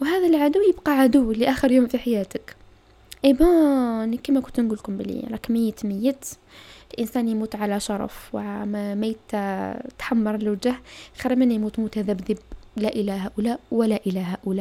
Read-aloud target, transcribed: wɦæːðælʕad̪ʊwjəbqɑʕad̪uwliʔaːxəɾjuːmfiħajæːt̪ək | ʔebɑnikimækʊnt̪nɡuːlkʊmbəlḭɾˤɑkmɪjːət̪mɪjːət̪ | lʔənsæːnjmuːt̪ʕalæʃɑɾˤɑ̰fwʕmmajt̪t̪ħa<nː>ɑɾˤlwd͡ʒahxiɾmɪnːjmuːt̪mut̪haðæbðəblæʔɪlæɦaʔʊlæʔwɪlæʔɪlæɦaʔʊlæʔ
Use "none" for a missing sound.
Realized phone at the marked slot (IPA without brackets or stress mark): mː